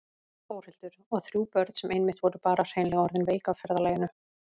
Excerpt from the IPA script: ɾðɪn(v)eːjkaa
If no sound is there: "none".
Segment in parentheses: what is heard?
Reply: v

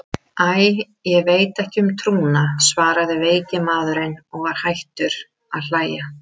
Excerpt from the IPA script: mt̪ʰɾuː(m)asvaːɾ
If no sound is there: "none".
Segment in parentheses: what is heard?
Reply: n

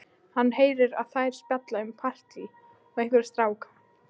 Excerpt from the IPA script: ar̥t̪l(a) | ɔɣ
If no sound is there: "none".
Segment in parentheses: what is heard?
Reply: i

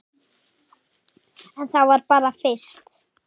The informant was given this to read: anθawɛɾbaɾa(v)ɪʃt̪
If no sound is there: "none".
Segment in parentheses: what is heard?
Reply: f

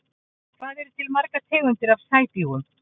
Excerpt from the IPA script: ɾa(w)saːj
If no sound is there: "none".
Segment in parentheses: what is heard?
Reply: v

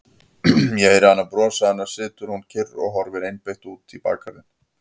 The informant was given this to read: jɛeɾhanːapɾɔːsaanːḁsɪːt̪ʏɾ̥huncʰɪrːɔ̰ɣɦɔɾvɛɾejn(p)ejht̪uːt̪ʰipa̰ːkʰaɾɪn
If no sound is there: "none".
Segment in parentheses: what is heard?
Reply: p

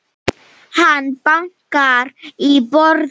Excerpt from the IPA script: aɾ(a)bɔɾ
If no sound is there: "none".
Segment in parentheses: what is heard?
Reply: i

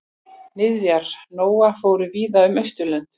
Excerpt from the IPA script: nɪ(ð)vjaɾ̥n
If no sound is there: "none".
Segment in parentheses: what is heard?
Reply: ð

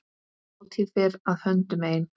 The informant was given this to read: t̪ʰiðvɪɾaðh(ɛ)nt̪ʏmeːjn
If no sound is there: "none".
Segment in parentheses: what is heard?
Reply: œ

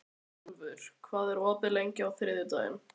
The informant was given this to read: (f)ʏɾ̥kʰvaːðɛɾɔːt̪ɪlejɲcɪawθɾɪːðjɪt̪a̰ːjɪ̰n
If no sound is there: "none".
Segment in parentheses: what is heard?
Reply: v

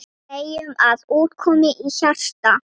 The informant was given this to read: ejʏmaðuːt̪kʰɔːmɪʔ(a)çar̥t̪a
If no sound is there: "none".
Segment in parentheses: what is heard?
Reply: i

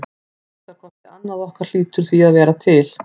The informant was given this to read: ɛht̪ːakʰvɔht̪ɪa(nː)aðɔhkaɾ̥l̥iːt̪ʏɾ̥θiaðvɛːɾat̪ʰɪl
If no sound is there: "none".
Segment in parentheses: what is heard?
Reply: nː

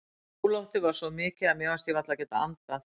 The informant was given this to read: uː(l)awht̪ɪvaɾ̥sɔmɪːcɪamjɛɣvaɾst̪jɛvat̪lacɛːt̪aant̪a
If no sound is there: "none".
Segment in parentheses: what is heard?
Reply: l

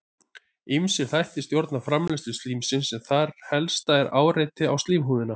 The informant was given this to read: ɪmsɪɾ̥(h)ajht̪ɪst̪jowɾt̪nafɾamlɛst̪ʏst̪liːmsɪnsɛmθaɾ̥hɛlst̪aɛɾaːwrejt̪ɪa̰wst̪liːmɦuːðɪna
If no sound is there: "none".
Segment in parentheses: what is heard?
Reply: θ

